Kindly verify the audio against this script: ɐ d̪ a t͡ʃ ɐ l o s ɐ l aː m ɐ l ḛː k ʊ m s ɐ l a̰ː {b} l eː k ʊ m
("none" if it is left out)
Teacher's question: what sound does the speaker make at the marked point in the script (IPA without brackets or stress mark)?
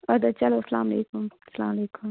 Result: m